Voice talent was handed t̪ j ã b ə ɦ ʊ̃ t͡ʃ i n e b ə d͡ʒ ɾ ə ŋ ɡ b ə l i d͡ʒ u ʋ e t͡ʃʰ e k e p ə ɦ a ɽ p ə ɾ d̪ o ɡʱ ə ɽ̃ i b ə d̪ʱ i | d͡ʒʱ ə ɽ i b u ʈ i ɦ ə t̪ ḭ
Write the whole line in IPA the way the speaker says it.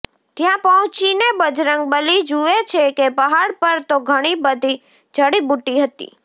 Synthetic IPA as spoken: t̪ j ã p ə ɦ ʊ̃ t͡ʃ i n e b ə d͡ʒ ɾ ə ŋ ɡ b ə l i d͡ʒ u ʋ e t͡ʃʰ e k e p ə ɦ a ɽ p ə ɾ t̪ o ɡʱ ə ɽ̃ i b ə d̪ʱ i | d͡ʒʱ ə ɽ i b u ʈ i ɦ ə t̪ ḭ